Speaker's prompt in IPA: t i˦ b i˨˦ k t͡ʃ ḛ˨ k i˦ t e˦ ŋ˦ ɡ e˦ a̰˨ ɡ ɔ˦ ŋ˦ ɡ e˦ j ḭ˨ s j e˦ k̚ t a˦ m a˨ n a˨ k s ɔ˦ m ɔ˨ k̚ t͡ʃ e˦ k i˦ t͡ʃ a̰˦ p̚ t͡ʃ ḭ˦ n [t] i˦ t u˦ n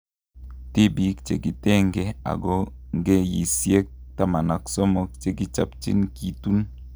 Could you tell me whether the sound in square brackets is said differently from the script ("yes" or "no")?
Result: yes